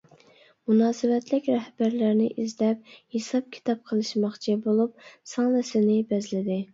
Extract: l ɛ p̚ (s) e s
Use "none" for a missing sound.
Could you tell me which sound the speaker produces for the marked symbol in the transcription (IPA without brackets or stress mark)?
h